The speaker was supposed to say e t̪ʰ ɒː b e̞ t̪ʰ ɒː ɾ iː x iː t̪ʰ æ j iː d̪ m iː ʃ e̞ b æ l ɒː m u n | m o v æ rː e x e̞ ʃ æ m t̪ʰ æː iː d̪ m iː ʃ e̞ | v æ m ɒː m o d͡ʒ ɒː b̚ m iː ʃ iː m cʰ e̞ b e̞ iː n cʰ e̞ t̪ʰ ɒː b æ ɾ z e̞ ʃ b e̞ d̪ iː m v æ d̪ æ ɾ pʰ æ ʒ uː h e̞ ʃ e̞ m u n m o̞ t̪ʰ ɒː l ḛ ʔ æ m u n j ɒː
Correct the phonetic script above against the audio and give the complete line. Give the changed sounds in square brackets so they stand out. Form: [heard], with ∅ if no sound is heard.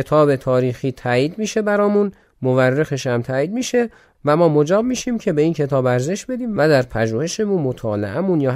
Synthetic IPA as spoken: e t̪ʰ ɒː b e̞ t̪ʰ ɒː ɾ iː x iː t̪ʰ æ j iː d̪ m iː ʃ e̞ b æ [ɾ] ɒː m u n | m o v æ rː e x e̞ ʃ æ m t̪ʰ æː iː d̪ m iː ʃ e̞ | v æ m ɒː m o d͡ʒ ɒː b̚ m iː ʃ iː m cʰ e̞ b e̞ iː n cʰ e̞ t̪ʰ ɒː b æ ɾ z e̞ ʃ b e̞ d̪ iː m v æ d̪ æ ɾ pʰ æ ʒ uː h e̞ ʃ e̞ m u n m o̞ t̪ʰ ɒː l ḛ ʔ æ m u n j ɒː